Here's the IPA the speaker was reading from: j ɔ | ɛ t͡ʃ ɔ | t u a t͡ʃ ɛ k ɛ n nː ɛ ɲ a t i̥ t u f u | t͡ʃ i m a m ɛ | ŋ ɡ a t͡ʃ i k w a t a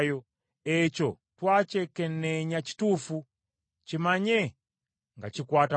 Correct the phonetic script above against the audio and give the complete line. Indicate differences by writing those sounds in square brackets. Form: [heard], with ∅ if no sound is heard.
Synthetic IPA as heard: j ɔ | ɛ t͡ʃ ɔ | t [w] a t͡ʃ ɛ k ɛ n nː ɛ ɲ a [t͡ʃ] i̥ t u f u | t͡ʃ i m a [ɲ] ɛ | ŋ ɡ a t͡ʃ i k w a t a